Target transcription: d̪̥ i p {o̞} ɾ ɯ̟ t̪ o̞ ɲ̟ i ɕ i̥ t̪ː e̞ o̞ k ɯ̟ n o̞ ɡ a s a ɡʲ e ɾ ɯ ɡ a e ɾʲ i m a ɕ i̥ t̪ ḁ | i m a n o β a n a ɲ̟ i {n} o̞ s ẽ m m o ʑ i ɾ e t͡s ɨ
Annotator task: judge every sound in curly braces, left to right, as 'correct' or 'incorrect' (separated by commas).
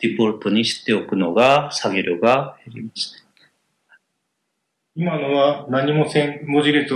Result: correct, incorrect